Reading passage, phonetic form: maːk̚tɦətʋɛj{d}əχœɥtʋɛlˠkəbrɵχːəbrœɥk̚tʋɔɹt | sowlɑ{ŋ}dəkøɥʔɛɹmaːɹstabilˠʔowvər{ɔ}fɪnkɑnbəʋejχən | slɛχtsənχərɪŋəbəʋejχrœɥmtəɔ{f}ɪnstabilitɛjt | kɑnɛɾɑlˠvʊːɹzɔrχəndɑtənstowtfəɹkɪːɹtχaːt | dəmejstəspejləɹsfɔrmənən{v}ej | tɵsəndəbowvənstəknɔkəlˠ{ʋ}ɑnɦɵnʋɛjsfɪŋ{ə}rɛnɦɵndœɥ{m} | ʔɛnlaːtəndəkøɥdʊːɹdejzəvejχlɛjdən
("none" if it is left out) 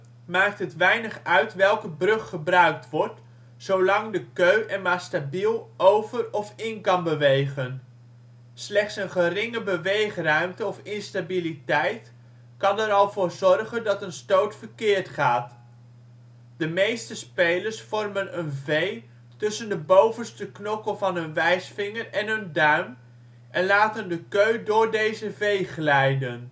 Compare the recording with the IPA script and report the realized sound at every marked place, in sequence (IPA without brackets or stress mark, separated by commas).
n, ŋ, ɔ, f, v, v, ə, m